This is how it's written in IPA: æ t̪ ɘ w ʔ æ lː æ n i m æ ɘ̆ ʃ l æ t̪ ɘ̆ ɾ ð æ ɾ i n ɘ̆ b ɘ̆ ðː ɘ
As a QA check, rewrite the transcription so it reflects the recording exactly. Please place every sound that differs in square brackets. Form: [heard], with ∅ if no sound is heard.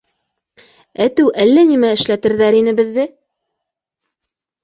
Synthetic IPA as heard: æ t̪ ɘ w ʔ æ lː æ n i m æ ɘ̆ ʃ l æ t̪ ɘ̆ ɾ ð æ ɾ i n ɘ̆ b ɘ̆ ðː ɘ